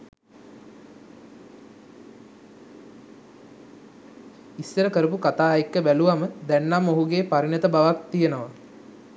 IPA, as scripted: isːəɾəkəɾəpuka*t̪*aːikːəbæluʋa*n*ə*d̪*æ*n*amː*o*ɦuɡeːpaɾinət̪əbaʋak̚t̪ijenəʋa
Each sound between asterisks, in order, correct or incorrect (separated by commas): correct, incorrect, correct, incorrect, correct